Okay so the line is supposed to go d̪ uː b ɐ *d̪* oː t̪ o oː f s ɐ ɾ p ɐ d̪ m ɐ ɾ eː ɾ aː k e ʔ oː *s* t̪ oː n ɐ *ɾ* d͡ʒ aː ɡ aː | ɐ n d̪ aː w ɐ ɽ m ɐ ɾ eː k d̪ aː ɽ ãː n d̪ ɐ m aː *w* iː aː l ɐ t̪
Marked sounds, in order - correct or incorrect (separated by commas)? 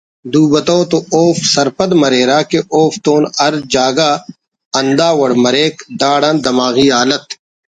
incorrect, incorrect, correct, incorrect